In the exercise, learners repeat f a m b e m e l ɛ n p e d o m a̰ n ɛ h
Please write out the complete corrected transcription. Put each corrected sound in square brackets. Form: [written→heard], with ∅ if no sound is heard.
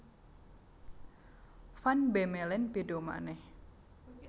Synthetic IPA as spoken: f a [m→n] b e m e l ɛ n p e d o m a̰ n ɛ h